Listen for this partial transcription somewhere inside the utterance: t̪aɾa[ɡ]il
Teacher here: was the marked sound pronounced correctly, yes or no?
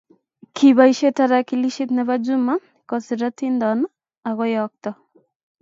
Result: no